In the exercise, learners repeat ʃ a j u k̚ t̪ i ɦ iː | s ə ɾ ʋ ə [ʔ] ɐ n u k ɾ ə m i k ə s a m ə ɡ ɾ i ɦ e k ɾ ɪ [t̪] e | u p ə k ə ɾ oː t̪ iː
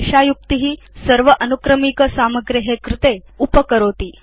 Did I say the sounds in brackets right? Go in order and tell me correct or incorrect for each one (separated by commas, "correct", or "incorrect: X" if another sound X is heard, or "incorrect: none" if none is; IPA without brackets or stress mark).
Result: correct, correct